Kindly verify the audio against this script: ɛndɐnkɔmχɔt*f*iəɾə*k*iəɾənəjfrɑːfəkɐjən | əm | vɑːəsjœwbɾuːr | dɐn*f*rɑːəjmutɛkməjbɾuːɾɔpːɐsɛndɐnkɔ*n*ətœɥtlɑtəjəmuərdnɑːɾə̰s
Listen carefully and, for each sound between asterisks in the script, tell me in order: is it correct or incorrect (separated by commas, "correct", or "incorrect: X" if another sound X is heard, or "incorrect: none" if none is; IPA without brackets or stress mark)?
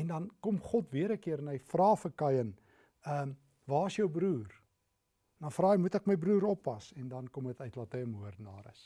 incorrect: v, correct, correct, incorrect: m